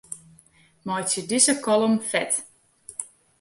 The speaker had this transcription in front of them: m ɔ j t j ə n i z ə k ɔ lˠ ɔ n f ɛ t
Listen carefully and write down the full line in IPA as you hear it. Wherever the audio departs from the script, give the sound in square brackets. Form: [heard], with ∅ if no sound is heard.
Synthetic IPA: m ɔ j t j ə [d] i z ə k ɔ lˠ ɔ [m] f ɛ t